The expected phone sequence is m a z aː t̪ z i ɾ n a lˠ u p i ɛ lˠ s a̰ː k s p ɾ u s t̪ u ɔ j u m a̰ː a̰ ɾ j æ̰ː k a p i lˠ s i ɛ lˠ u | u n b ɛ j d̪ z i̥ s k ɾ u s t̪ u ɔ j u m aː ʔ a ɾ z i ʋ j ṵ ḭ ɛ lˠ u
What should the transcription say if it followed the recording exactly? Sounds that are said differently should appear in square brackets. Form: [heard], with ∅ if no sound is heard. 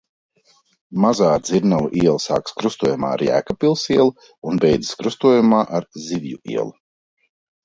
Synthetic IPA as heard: m a z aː [d̪] z i ɾ n a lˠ u [ʔ] i ɛ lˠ s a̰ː k s [k] ɾ u s t̪ u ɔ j u m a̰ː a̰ ɾ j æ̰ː k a p i lˠ s i ɛ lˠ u | u n b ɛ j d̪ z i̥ s k ɾ u s t̪ u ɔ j u m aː ʔ a ɾ z i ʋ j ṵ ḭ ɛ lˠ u